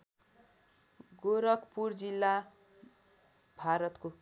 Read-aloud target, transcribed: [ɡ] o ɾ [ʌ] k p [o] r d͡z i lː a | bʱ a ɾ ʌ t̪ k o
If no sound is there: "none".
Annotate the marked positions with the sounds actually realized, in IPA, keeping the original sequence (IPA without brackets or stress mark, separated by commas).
ɡ, ʌ, u